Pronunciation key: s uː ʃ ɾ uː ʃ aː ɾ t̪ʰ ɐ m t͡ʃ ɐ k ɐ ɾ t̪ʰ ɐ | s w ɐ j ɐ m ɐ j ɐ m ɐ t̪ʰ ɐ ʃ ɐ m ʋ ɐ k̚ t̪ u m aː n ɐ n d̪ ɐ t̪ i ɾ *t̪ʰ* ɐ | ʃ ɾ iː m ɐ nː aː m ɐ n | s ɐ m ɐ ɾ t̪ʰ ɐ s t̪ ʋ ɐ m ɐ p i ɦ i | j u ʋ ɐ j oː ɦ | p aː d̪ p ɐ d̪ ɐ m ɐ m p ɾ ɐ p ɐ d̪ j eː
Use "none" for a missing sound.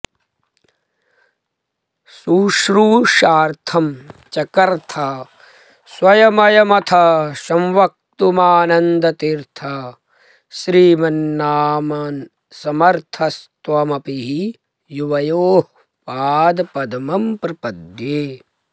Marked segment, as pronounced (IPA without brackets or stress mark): t̪ʰ